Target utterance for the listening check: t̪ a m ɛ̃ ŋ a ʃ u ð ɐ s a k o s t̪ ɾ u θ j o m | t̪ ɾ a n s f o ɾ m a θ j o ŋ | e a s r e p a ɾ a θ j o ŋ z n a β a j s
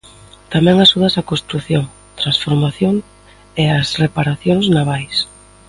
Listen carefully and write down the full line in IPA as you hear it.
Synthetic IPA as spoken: t̪ a m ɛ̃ ŋ a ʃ u ð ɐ s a k o s t̪ ɾ u θ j o ŋ | t̪ ɾ a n s f o ɾ m a θ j o ŋ | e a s r e p a ɾ a θ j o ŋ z n a β a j s